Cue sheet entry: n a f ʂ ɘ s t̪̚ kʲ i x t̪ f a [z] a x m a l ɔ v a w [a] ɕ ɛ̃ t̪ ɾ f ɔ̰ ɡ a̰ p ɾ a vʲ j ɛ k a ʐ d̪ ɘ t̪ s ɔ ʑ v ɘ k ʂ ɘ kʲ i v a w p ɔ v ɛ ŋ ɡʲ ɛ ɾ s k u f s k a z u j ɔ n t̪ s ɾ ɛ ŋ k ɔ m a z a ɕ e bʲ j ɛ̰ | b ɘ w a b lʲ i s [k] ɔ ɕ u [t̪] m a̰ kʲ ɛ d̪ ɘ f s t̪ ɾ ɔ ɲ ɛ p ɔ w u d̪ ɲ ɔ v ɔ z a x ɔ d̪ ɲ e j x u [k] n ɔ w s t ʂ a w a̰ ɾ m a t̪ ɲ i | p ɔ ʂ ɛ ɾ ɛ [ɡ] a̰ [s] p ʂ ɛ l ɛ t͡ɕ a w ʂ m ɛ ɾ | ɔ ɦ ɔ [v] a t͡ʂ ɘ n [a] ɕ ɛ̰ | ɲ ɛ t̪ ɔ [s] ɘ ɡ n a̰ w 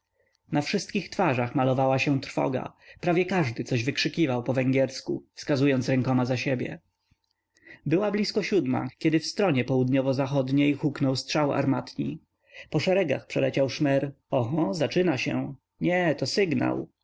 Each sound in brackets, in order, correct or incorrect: incorrect: ʐ, correct, correct, incorrect: d̪, correct, correct, incorrect: x, incorrect: z, correct, correct

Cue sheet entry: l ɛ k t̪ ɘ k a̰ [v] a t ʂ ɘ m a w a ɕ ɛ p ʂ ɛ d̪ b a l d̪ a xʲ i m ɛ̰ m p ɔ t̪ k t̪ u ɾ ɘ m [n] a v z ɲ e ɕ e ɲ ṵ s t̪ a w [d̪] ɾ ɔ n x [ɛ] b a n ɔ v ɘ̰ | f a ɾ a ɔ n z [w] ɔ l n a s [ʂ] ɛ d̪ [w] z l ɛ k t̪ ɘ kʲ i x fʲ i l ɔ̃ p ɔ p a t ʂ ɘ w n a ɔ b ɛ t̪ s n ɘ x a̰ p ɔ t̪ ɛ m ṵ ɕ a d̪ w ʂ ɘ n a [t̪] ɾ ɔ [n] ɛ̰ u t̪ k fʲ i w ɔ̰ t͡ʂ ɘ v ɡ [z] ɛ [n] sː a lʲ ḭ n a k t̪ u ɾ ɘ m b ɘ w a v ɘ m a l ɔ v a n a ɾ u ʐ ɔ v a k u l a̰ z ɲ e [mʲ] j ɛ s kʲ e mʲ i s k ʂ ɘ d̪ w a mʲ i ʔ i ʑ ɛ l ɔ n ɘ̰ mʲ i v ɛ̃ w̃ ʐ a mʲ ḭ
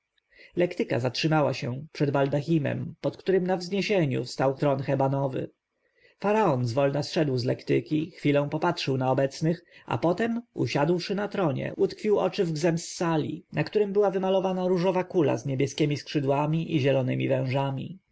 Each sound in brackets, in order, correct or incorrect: incorrect: z, correct, incorrect: t̪, correct, incorrect: v, correct, correct, correct, incorrect: ɲ, correct, incorrect: m, incorrect: bʲ

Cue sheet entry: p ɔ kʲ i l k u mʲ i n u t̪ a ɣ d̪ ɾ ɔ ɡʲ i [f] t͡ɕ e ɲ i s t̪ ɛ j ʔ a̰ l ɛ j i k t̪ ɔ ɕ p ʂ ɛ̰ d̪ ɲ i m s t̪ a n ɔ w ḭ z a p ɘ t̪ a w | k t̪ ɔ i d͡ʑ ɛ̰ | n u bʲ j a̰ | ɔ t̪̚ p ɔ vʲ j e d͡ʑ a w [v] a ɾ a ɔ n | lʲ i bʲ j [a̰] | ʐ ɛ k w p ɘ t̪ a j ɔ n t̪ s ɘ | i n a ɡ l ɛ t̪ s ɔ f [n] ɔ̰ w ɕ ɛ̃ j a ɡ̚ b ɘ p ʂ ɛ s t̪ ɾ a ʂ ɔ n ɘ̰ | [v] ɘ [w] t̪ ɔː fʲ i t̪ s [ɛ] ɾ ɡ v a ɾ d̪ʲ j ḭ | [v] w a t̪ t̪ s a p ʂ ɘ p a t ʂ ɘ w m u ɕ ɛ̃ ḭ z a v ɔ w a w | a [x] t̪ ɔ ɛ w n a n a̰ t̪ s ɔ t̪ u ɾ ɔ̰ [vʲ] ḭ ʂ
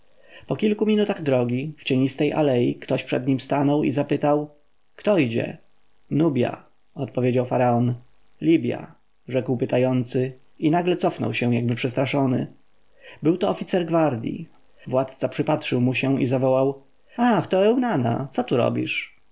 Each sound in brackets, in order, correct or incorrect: correct, incorrect: f, correct, correct, incorrect: b, correct, correct, correct, correct, incorrect: bʲ

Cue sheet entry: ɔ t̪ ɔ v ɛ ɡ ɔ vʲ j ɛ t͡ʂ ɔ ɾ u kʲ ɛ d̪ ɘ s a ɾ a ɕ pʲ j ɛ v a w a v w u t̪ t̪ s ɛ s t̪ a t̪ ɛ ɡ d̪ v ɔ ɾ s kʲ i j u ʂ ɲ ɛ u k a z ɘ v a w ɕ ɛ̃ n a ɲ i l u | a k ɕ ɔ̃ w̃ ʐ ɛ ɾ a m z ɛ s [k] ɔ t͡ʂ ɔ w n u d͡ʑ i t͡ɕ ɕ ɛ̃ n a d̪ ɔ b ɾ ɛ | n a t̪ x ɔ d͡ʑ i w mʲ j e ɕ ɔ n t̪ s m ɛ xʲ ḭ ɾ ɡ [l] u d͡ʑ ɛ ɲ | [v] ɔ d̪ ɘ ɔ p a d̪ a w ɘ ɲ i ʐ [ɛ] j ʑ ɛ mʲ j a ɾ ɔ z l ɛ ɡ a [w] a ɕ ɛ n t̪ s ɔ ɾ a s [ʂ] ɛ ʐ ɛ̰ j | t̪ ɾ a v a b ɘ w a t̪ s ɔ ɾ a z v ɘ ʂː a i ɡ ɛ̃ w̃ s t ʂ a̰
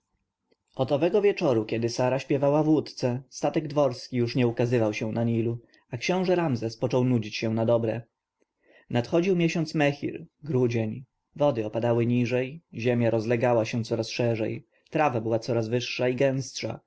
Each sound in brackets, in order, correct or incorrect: incorrect: p, incorrect: ɾ, correct, correct, correct, correct

